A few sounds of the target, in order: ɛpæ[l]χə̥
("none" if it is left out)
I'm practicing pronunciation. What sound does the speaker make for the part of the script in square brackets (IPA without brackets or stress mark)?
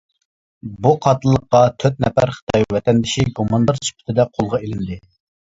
ɾ